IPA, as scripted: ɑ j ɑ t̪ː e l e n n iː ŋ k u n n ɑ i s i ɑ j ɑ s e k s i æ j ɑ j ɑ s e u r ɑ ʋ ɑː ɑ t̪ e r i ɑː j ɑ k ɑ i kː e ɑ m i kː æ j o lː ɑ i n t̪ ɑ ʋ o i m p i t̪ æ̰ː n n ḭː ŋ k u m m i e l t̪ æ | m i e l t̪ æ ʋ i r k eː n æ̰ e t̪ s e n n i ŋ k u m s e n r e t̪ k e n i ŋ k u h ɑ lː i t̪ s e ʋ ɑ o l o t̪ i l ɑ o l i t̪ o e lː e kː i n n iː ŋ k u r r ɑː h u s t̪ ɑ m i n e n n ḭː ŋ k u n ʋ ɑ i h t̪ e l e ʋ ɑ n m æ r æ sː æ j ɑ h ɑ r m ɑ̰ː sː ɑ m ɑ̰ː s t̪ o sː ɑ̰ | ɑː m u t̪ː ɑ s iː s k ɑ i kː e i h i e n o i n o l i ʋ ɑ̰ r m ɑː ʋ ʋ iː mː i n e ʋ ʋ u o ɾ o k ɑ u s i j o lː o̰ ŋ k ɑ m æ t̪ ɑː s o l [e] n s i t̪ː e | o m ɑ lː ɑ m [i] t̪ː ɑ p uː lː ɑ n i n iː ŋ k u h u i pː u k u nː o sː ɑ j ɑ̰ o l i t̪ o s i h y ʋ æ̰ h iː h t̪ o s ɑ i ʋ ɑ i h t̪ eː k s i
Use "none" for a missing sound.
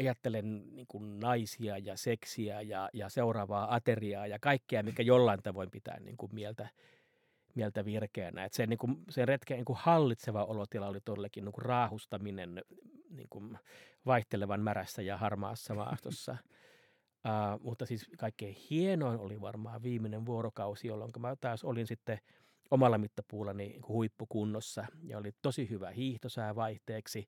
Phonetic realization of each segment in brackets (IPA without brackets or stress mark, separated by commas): i, i